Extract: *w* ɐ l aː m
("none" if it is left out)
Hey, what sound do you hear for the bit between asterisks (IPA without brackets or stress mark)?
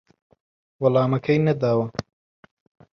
w